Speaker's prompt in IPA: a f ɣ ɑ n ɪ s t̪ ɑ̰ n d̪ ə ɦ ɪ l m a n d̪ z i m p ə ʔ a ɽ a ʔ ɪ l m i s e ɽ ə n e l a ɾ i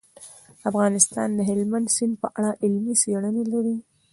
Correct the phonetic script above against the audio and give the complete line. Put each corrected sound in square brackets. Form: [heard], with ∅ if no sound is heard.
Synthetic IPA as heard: a f ɣ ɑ n ɪ s t̪ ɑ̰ n d̪ ə ɦ ɪ l m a n d̪ [s] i [n] p ə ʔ a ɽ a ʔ ɪ l m i s e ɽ ə n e l a ɾ i

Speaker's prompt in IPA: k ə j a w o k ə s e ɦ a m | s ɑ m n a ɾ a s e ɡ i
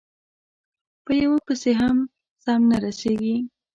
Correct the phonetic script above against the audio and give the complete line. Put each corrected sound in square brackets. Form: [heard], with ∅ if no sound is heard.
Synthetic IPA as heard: [p] ə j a w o [p] ə s e ɦ a m | s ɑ m n a ɾ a s e ɡ i

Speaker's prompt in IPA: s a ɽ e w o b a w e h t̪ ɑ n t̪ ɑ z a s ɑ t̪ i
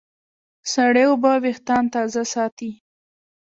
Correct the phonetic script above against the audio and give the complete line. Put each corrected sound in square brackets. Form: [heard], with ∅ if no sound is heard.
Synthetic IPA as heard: s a ɽ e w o b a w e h t̪ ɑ n t̪ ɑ z a s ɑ t̪ i

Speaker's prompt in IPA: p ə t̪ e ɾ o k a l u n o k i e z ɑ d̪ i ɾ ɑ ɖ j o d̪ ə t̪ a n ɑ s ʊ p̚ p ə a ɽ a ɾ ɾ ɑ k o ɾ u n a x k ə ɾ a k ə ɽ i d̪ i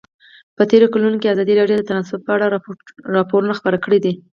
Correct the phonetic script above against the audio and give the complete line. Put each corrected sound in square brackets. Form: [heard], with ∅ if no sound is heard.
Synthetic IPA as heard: p ə t̪ e ɾ o k a l u n o k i [a] z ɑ d̪ i ɾ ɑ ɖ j o d̪ ə t̪ a n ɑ s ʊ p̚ p ə a ɽ a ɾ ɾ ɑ [p] o ɾ u n a x [p] ə ɾ a k ə ɽ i d̪ i

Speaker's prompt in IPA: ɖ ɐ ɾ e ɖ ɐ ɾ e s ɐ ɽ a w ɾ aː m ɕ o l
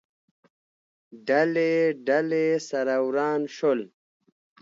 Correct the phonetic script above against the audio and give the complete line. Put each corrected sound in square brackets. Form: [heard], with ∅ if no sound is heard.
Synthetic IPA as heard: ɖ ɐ [l] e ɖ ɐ [l] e s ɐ [ɾ] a w ɾ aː [n] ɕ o l

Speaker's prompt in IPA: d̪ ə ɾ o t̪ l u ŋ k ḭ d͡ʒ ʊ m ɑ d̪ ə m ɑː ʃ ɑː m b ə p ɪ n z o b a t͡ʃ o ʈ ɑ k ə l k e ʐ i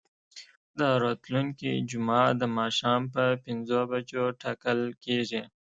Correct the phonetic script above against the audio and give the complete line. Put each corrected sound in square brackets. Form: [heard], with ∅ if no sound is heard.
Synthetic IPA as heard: d̪ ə ɾ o t̪ l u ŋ k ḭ d͡ʒ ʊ m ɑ d̪ ə m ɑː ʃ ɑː m [p] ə p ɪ n z o b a t͡ʃ o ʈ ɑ k ə l k e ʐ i

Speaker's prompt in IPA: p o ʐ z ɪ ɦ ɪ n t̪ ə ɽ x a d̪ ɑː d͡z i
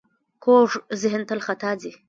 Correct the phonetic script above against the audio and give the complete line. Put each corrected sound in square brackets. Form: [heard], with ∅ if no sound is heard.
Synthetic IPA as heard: [k] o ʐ z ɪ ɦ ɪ n t̪ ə [l] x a [t̪] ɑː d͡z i

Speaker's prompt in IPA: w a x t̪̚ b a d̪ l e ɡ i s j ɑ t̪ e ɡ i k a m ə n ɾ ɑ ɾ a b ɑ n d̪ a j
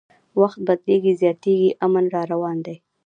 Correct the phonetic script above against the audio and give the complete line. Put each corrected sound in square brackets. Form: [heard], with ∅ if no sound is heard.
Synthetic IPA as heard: w a x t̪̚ b a d̪ l e ɡ i [z] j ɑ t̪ e ɡ i [ʔ] a m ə n ɾ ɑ ɾ a [w] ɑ n d̪ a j

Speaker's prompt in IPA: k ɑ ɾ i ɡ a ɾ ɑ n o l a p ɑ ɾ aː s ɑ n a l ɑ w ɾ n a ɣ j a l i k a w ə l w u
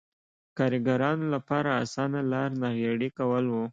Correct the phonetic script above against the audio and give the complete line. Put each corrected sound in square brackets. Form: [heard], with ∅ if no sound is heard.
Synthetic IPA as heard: k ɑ ɾ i ɡ a ɾ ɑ n o l a p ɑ ɾ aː s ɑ n a l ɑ [∅] ɾ n a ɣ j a [ɽ] i k a w ə l w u

